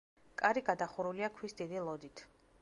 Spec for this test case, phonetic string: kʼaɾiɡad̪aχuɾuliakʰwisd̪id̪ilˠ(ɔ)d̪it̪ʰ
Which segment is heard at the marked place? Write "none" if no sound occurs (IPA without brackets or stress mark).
ɔ